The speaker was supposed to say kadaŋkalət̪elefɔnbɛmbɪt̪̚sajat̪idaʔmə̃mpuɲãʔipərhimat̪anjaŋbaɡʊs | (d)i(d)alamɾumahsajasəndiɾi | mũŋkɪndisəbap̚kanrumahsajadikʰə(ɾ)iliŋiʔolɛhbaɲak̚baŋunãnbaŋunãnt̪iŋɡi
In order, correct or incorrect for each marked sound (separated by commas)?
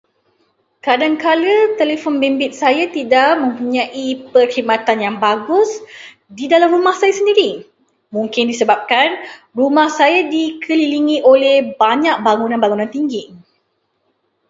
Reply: correct, correct, incorrect